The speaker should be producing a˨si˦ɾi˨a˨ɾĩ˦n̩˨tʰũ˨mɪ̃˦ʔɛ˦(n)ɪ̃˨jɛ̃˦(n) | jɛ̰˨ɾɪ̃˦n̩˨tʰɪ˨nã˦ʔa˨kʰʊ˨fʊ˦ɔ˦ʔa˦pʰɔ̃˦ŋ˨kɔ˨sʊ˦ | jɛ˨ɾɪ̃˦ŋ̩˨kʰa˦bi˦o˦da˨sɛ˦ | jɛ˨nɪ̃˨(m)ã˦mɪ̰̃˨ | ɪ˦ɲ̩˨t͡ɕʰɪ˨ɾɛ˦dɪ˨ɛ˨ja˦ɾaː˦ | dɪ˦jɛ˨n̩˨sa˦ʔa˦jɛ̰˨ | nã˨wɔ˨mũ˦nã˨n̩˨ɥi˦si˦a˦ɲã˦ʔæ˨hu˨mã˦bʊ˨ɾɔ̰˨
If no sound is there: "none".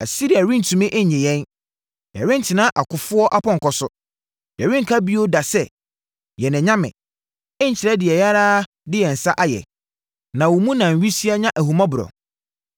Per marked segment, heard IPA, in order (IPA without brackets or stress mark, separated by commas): ɲ, n, ɲ